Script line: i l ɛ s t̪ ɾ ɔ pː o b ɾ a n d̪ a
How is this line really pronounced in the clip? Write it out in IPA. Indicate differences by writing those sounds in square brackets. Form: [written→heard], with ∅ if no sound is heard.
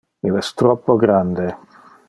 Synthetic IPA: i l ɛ s t̪ ɾ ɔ pː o [b→ɡ] ɾ a n d̪ [a→e]